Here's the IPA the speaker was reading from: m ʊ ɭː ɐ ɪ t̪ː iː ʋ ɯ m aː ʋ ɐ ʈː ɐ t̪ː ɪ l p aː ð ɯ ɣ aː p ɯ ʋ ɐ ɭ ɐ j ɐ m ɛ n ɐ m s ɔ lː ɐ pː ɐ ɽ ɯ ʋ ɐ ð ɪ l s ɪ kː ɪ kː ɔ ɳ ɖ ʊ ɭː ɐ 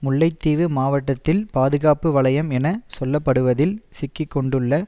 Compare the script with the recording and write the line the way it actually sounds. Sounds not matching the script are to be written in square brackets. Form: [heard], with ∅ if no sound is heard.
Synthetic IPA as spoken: m ʊ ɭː ɐ ɪ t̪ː iː ʋ ɯ m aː ʋ ɐ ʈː ɐ t̪ː ɪ l p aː ð ɯ ɣ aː p ɯ ʋ ɐ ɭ ɐ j ɐ m ɛ n ɐ [∅] s ɔ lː ɐ pː ɐ ɽ ɯ ʋ ɐ ð ɪ l s ɪ kː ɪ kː ɔ ɳ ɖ [ɯ] ɭː ɐ